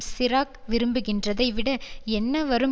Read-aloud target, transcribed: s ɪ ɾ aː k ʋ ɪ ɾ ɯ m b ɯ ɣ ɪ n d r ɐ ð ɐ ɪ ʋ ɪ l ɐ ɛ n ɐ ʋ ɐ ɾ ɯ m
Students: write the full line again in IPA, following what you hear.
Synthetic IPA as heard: s ɪ ɾ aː k ʋ ɪ ɾ ɯ m b ɯ ɣ ɪ n d r ɐ ð ɐ ɪ ʋ ɪ ɽ ɐ ɛ nː ɐ ʋ ɐ ɾ ɯ m